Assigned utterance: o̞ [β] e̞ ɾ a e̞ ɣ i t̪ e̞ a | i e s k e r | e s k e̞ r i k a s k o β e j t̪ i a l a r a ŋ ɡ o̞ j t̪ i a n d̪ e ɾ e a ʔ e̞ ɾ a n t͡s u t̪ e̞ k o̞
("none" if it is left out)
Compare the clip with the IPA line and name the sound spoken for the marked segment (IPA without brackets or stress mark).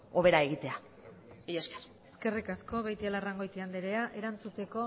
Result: β